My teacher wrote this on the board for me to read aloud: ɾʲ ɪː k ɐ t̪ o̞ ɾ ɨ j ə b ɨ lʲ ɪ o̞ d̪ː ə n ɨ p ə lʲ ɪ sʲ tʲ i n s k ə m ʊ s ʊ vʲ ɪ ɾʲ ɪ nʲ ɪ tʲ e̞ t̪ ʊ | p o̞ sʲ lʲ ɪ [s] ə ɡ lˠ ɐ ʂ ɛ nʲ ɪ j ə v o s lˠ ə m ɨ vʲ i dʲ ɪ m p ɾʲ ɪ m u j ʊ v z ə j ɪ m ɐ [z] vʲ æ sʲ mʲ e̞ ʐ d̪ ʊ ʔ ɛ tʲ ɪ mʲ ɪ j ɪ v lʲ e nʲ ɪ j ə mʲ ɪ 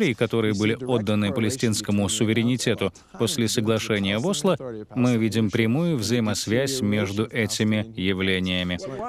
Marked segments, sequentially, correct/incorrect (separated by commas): correct, incorrect